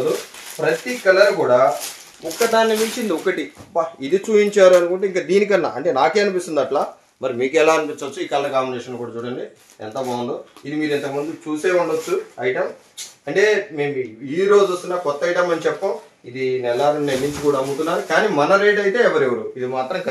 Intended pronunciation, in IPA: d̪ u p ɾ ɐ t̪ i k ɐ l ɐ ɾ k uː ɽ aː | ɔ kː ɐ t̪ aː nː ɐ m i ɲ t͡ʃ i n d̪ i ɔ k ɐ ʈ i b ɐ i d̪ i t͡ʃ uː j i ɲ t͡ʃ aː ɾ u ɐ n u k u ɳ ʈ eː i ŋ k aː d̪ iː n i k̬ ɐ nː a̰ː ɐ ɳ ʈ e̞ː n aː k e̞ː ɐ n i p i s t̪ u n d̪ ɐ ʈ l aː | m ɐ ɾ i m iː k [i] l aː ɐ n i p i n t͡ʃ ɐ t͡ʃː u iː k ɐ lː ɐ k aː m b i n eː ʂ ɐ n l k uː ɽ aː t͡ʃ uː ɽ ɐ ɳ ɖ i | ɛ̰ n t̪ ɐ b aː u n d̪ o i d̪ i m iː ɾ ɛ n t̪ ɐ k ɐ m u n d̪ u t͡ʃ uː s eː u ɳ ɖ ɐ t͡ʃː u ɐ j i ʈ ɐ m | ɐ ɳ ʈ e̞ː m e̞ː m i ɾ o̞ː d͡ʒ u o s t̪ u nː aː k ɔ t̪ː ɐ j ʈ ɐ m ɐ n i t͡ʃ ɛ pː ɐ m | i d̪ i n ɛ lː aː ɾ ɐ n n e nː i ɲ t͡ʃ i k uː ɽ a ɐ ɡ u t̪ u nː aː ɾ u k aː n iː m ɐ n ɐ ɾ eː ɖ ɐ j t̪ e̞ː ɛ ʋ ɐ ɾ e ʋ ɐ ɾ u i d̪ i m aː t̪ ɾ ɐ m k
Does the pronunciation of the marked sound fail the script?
yes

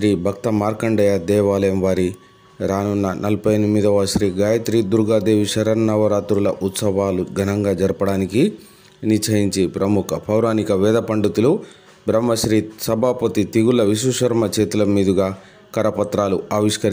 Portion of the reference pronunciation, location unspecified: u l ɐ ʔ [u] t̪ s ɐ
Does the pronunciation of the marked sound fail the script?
no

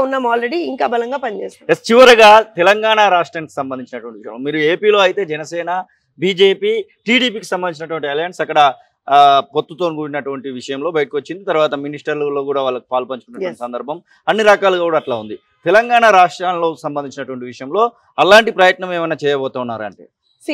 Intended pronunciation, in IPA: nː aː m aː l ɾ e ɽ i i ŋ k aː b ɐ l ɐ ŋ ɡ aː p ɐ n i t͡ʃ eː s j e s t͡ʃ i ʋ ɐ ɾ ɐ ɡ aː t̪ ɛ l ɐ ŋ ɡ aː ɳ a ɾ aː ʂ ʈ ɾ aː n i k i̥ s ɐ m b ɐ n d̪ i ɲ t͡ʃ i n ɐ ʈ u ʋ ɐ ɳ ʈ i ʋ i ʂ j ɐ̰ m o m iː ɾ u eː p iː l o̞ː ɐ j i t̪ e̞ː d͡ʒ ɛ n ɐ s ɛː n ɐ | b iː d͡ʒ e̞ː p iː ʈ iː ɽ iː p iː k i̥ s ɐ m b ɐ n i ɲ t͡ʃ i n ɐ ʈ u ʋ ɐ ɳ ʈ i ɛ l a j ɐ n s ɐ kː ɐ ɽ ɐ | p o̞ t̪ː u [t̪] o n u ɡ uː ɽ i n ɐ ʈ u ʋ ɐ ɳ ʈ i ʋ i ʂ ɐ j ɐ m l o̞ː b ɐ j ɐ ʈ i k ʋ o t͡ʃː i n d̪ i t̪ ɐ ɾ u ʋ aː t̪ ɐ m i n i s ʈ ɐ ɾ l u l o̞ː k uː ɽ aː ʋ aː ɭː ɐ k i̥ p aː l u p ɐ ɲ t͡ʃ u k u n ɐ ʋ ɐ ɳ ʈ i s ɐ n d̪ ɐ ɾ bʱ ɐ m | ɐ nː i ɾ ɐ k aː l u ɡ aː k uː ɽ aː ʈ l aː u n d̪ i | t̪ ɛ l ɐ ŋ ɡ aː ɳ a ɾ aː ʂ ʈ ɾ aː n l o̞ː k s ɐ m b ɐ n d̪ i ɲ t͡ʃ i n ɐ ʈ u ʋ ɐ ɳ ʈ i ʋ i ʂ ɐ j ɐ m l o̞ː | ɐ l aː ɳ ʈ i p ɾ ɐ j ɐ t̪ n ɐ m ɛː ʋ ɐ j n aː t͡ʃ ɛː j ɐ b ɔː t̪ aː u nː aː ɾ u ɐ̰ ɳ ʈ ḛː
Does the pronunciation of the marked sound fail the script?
no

